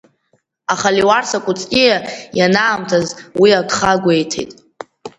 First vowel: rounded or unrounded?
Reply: unrounded